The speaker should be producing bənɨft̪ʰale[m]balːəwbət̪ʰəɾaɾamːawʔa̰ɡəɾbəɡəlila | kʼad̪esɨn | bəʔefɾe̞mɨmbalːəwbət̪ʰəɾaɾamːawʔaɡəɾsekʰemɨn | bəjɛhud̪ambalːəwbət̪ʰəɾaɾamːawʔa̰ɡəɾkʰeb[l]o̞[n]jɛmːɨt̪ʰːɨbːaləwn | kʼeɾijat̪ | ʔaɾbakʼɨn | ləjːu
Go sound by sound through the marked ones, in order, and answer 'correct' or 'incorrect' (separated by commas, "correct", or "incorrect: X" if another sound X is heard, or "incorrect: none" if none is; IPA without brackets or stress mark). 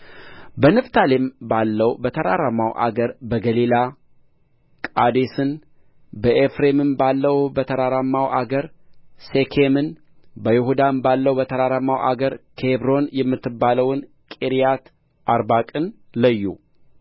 correct, incorrect: ɾ, correct